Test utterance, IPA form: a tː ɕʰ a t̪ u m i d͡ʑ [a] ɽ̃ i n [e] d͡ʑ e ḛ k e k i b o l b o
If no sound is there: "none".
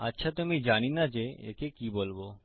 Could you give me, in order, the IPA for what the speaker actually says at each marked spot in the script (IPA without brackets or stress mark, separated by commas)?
a, a